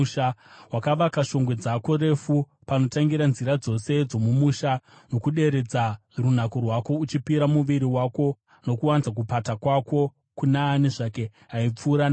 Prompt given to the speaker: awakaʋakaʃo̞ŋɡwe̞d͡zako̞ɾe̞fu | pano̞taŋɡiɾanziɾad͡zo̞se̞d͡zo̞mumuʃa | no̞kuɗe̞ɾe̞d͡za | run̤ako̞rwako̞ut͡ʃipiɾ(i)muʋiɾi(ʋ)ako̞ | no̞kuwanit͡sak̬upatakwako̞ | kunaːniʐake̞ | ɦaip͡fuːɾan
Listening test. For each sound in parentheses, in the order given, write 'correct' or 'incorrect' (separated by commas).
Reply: incorrect, incorrect